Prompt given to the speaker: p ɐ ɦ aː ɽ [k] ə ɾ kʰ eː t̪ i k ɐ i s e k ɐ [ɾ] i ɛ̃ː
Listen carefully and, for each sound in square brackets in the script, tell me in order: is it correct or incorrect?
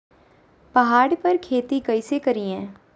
incorrect: p, correct

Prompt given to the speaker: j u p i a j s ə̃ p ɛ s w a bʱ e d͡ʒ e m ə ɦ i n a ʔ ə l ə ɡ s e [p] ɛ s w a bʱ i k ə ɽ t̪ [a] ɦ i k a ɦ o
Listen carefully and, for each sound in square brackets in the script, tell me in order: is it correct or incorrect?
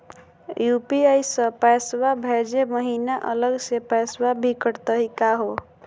correct, incorrect: ə

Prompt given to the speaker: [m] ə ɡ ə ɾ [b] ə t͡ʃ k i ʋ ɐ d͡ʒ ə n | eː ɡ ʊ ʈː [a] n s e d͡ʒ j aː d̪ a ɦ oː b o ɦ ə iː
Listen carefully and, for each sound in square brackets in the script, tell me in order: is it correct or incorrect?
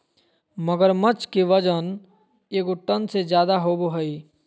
correct, incorrect: m, incorrect: ə

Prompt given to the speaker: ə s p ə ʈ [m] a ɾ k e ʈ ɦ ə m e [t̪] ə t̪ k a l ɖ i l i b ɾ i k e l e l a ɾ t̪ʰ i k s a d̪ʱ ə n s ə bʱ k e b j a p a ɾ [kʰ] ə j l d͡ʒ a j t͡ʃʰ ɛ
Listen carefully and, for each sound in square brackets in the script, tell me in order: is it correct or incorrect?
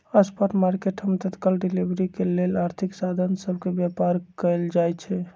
correct, correct, incorrect: k

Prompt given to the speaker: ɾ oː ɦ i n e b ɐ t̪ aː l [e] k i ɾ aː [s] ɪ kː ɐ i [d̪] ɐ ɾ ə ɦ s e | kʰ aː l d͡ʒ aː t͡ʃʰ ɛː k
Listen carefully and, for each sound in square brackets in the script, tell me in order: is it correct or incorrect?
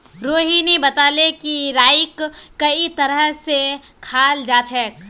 correct, incorrect: none, incorrect: t̪

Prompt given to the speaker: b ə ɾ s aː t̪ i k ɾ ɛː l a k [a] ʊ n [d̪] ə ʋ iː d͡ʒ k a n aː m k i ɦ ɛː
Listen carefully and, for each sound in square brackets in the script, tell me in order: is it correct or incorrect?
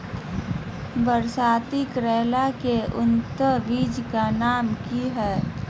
incorrect: e, incorrect: t̪

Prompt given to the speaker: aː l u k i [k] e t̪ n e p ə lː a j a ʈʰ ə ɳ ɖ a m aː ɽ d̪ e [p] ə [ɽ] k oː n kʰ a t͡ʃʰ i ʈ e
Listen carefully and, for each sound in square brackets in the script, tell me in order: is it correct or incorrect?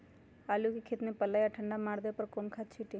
incorrect: kʰ, correct, incorrect: ɾ

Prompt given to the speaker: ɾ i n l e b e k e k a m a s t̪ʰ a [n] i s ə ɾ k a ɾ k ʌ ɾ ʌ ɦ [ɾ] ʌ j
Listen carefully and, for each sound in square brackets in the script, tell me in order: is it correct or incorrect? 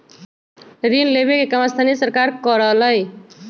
correct, incorrect: l

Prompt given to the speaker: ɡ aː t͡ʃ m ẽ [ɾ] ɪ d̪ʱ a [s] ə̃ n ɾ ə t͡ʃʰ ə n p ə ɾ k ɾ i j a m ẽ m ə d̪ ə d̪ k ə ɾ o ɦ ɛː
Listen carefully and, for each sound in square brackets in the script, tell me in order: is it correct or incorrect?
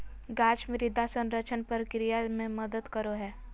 correct, correct

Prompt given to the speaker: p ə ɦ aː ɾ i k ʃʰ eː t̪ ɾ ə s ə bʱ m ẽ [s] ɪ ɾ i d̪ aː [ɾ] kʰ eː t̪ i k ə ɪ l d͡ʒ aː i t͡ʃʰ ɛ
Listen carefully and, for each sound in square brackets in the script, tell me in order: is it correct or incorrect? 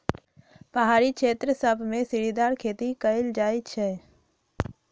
correct, correct

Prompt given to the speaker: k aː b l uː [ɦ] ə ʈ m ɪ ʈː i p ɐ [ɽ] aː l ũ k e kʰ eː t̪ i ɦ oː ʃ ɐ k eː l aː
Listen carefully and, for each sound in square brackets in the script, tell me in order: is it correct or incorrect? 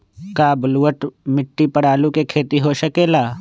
incorrect: none, correct

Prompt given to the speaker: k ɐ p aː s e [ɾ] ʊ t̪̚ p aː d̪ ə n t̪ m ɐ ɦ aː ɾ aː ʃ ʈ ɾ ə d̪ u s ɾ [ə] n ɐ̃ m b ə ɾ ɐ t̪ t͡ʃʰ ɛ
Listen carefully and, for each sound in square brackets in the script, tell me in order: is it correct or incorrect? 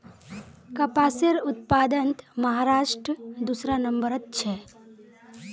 correct, incorrect: a

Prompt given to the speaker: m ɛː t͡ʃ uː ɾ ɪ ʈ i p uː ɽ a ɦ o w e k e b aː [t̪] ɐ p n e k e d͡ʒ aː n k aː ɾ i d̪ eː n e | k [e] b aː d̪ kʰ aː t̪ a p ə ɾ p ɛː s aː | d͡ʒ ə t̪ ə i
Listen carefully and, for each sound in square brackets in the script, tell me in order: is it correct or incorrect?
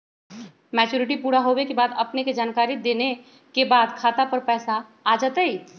incorrect: d̪, correct

